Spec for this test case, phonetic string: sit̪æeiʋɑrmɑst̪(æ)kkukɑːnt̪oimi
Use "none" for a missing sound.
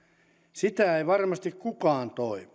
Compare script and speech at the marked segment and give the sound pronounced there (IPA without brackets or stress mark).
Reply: i